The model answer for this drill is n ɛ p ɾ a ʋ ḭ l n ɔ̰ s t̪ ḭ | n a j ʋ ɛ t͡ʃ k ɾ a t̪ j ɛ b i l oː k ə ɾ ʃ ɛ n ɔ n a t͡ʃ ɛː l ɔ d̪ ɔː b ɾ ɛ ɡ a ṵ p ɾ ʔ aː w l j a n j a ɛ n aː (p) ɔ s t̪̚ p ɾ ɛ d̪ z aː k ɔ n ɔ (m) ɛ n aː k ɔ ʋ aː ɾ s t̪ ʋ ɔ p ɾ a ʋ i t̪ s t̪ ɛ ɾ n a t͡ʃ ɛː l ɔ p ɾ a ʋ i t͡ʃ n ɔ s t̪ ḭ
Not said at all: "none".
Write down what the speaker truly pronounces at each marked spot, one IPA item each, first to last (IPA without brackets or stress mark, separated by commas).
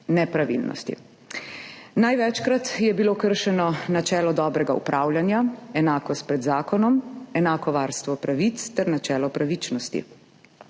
k, m